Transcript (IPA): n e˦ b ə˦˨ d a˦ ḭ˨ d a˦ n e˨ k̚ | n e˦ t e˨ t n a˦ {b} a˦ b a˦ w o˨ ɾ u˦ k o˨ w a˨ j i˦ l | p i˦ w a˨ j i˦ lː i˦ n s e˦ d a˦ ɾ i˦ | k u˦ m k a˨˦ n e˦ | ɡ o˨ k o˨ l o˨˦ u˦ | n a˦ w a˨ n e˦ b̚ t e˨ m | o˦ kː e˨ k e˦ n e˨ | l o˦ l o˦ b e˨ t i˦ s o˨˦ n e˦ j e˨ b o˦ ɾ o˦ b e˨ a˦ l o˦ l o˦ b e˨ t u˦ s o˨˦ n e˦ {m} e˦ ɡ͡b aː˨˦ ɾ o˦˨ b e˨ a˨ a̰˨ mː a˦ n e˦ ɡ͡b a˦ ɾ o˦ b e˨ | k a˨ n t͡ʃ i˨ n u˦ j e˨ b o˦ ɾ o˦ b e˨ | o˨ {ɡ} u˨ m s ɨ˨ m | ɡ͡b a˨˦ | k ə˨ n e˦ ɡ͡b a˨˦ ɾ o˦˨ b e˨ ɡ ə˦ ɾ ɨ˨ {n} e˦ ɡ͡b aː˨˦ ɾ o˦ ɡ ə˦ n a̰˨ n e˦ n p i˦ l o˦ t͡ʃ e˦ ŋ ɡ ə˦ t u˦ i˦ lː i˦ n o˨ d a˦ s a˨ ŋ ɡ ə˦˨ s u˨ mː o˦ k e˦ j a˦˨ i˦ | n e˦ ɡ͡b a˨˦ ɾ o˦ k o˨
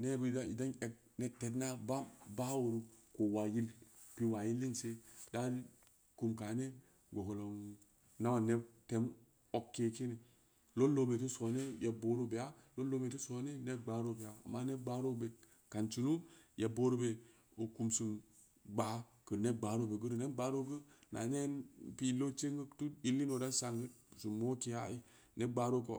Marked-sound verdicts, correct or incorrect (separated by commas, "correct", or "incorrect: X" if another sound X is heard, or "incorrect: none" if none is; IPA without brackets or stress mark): correct, incorrect: n, incorrect: k, correct